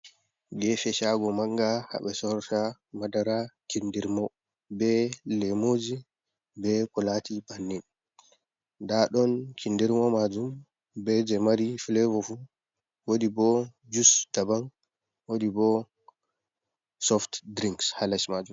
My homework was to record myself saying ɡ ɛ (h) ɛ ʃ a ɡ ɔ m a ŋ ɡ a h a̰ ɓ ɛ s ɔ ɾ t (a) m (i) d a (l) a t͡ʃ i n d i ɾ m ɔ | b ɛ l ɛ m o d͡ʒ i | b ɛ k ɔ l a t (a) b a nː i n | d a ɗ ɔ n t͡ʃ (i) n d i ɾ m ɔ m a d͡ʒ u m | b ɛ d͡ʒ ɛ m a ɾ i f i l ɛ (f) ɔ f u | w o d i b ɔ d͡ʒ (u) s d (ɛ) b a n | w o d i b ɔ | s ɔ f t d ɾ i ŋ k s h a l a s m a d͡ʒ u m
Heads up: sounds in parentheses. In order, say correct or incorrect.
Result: incorrect: f, correct, incorrect: a, incorrect: ɾ, incorrect: i, correct, incorrect: v, correct, incorrect: a

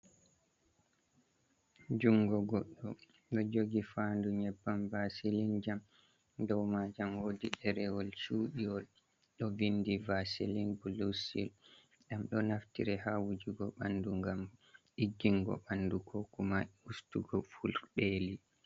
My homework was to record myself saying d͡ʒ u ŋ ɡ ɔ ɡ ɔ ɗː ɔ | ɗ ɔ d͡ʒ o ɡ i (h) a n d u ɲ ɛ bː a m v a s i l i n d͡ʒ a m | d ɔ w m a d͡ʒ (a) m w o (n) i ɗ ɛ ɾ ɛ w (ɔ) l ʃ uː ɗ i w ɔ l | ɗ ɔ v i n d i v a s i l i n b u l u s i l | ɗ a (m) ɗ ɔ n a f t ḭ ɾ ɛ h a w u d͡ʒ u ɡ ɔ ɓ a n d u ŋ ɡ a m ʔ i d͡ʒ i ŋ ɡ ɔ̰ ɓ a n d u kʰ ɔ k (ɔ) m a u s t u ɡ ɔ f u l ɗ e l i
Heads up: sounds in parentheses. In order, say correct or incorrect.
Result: incorrect: f, correct, incorrect: d, correct, correct, incorrect: u

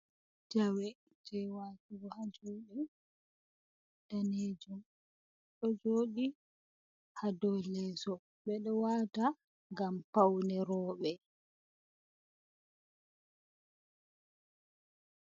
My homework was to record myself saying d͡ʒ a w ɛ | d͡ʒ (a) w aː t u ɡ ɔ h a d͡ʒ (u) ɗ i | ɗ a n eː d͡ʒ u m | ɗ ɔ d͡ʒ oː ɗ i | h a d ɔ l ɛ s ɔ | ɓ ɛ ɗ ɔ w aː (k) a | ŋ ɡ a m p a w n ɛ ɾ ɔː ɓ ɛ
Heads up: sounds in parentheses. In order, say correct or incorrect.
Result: incorrect: ɛ, incorrect: o, incorrect: t

